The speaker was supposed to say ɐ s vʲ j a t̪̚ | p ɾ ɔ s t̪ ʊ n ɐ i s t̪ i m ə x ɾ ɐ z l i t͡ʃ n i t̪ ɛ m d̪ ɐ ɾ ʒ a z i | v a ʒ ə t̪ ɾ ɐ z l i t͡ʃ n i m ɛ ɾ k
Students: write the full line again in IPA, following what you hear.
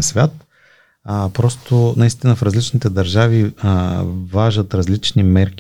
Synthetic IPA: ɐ s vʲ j a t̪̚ | p ɾ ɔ s t̪ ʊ n ɐ i s t̪ i n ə f ɾ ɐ z l i t͡ʃ n i t̪ ɛ d̪ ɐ ɾ ʒ a v i | v a ʒ ə t̪ ɾ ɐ z l i t͡ʃ n i m ɛ ɾ k